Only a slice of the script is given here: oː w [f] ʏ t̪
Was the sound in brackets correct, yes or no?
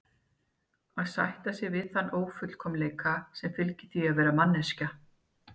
yes